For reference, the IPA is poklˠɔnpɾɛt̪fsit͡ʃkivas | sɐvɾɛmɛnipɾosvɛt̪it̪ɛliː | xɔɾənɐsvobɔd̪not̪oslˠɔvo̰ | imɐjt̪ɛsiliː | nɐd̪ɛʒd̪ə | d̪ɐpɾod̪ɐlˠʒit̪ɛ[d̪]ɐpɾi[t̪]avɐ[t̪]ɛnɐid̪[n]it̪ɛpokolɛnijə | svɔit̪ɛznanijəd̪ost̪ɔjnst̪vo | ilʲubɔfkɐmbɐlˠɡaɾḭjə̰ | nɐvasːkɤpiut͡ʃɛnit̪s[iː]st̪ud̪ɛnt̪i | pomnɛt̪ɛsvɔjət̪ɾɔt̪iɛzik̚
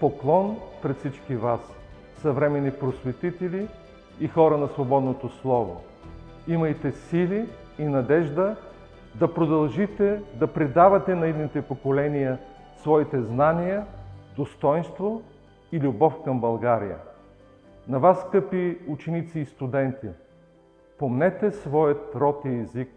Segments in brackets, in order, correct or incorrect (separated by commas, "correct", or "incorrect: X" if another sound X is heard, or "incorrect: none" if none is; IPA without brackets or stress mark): correct, incorrect: d̪, correct, correct, correct